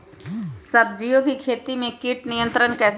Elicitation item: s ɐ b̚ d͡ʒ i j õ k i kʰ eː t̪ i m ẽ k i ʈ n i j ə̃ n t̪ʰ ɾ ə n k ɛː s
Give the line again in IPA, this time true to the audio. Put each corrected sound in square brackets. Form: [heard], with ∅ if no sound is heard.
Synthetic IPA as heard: s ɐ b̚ d͡ʒ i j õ k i kʰ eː t̪ i m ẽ k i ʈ n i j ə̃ n [t̪] ɾ ə n k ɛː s